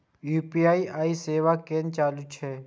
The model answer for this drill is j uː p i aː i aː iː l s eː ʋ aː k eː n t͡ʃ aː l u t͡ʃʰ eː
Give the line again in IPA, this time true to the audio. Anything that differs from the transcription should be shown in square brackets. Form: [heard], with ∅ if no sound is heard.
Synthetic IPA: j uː p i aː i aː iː [∅] s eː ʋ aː k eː n t͡ʃ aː l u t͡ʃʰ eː